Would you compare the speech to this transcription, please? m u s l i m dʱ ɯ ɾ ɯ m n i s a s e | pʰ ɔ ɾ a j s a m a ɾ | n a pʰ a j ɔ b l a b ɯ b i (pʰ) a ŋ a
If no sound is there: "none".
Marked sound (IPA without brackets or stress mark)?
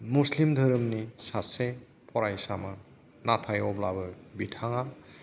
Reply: tʰ